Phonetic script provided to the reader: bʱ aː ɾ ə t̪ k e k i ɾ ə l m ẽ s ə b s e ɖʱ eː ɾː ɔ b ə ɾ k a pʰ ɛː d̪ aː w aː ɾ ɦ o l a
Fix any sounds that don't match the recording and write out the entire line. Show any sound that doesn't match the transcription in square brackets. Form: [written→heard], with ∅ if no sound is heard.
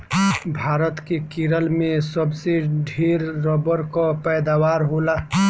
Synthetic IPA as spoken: bʱ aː ɾ ə t̪ k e k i ɾ ə l m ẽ s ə b s e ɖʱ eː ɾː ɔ b ə ɾ k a [pʰ→p] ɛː d̪ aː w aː ɾ ɦ o l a